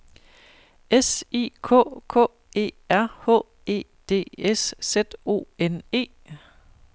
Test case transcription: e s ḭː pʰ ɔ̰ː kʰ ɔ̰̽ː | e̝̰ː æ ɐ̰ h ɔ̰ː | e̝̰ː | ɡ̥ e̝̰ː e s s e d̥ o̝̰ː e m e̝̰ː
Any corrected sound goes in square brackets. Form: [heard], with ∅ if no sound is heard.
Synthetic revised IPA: e s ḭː [kʰ] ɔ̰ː kʰ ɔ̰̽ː | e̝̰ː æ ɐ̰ h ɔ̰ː | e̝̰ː | [d̥] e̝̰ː e s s e d̥ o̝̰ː e [n] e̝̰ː